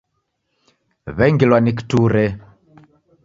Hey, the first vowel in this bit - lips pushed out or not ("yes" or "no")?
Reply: no